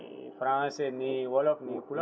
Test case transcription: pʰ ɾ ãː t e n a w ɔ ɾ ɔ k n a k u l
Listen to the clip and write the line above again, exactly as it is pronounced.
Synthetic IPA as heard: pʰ ɾ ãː s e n i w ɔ l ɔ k n i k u l